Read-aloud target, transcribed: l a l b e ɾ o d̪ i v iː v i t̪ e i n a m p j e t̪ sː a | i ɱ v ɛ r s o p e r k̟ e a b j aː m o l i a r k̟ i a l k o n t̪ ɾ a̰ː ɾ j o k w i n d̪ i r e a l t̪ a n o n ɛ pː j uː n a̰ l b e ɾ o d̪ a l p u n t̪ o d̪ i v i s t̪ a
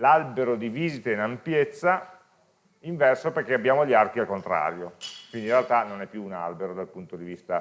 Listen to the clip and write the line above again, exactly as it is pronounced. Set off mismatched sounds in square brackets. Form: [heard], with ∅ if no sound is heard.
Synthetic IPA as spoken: l a l b e ɾ o d̪ i v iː [z] i t̪ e i n a m p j e t̪ sː a | i ɱ v ɛ r s o p e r k̟ e a b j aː m o [ʎ] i a r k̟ i a l k o n t̪ ɾ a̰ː ɾ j o k w i n d̪ i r e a l t̪ a n o n ɛ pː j uː n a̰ l b e ɾ o d̪ a l p u n t̪ o d̪ i v i s t̪ a